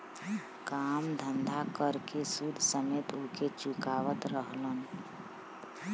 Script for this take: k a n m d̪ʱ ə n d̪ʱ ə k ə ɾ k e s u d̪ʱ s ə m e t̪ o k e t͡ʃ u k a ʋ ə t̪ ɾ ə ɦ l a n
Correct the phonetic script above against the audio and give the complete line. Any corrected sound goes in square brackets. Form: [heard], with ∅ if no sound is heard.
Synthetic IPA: k a [∅] m d̪ʱ ə n d̪ʱ [a] k ə ɾ k e s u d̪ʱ s ə m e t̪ o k e t͡ʃ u k a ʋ ə t̪ ɾ ə ɦ l [ə] n